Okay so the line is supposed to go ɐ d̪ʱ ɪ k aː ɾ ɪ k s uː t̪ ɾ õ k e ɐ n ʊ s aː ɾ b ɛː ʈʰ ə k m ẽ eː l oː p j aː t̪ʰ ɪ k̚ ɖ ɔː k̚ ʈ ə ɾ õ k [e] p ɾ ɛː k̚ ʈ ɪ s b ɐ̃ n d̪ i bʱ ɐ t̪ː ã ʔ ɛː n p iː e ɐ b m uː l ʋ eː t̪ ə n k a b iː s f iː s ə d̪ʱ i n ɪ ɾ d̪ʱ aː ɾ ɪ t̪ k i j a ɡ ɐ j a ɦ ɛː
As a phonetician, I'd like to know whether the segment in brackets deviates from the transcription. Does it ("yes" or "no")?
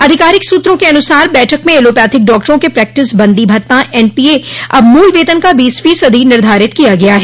no